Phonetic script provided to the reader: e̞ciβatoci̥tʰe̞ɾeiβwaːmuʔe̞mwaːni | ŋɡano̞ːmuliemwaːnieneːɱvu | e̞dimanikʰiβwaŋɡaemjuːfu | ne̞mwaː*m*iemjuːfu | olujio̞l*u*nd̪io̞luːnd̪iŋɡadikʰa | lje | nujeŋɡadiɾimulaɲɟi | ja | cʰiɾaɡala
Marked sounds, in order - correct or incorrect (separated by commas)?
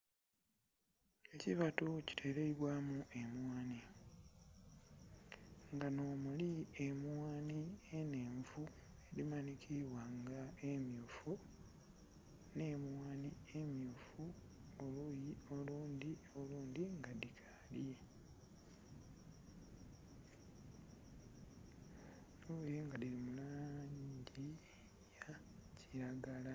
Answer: incorrect, incorrect